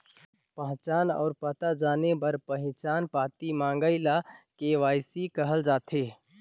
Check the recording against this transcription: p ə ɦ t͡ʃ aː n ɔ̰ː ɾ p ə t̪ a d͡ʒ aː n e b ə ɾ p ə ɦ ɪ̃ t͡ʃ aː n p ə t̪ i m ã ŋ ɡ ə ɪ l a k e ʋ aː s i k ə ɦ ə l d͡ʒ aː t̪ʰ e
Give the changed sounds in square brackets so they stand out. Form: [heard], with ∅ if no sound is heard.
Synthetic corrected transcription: p ə ɦ t͡ʃ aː n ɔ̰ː ɾ p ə t̪ a d͡ʒ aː n e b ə ɾ p ə ɦ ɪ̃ t͡ʃ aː n p [a] t̪ i m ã ŋ ɡ ə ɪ l a k e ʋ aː s i k ə ɦ ə l d͡ʒ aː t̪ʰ e